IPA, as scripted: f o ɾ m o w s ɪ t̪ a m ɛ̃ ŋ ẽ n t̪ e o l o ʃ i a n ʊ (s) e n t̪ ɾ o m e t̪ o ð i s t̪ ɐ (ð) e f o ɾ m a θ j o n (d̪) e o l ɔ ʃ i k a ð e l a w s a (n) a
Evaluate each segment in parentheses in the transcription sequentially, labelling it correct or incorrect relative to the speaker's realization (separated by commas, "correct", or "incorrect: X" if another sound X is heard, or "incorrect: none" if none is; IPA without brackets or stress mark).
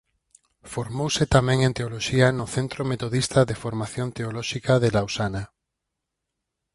incorrect: θ, correct, incorrect: t̪, correct